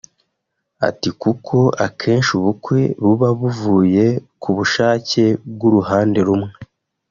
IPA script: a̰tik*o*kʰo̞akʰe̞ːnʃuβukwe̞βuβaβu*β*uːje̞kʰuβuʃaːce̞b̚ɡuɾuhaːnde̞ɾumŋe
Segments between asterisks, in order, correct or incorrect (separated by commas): incorrect, incorrect